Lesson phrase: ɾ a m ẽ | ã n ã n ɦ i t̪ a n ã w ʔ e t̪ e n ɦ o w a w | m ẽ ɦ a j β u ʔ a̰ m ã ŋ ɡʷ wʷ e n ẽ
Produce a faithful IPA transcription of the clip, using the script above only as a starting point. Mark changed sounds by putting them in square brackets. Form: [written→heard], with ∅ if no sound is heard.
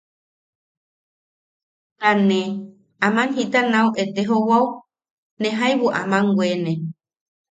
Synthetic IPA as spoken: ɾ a [m→n] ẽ | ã [n→m] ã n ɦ i t̪ a n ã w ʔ e t̪ e [n→∅] ɦ o w a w | [m→n] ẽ ɦ a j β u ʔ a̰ m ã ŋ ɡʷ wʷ e n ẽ